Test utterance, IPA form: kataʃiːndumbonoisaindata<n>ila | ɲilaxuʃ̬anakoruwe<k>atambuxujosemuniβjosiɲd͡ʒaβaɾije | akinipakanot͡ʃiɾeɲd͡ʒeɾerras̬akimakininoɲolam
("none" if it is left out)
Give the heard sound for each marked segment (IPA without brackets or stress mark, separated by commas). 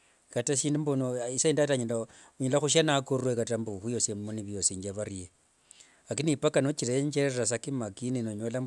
ɲ, k